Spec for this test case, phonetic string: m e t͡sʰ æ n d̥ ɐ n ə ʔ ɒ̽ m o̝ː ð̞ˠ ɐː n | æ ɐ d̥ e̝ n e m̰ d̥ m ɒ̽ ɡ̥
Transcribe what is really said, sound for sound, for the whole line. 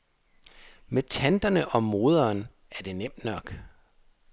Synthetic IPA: m e t͡sʰ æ n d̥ ɐ n ə ʔ ɒ̽ m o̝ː ð̞ˠ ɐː n | æ ɐ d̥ e̝ n e m̰ d̥ n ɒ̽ ɡ̥